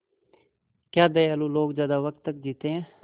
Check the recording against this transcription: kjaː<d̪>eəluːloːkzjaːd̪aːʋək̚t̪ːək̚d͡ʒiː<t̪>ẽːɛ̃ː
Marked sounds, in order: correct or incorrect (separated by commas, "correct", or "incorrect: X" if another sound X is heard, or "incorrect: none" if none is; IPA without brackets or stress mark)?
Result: correct, correct